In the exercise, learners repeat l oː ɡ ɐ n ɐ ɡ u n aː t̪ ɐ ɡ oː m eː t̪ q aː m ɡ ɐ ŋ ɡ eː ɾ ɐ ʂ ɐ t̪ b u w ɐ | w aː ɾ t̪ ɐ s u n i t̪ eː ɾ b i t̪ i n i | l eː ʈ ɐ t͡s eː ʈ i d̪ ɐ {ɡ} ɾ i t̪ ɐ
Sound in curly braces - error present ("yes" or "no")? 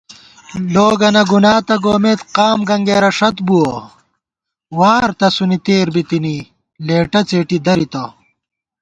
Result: yes